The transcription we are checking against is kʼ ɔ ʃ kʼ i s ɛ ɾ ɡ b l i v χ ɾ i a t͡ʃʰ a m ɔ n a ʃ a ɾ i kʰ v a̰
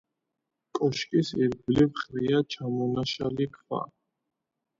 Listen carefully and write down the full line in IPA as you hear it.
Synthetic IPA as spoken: kʼ ɔ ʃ kʼ i s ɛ ɾ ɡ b l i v χ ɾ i a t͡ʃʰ a m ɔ n a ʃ a l i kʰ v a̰